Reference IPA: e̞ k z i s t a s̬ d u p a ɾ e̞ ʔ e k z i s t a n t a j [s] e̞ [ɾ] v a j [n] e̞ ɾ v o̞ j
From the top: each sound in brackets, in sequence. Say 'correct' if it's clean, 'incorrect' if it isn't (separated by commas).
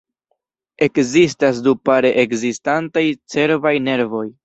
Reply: incorrect, correct, correct